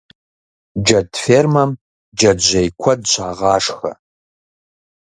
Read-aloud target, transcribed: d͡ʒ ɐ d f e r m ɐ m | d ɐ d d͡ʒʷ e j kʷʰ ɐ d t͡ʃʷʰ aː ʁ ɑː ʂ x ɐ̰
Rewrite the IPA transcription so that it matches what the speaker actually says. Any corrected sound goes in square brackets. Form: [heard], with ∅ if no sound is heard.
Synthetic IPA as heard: d͡ʒ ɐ d f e r m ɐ m | [d͡ʒ] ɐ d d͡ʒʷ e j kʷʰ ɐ d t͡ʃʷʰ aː ʁ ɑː ʂ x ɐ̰